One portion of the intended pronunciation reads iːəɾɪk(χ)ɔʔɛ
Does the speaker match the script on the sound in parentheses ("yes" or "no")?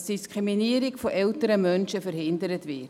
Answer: no